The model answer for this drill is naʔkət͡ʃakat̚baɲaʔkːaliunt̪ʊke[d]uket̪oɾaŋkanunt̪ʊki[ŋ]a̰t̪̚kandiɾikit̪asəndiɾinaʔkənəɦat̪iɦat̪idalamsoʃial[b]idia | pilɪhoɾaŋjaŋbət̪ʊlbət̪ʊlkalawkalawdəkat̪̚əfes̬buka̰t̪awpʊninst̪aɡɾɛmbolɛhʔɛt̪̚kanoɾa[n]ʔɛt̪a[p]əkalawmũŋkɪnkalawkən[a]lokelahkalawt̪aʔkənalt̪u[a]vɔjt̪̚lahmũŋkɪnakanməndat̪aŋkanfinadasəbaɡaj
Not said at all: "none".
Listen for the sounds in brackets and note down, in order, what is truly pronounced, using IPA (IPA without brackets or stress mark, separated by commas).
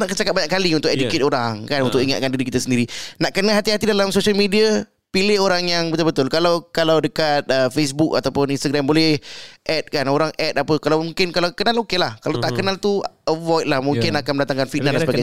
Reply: d, ŋ, m, ŋ, p, a, ə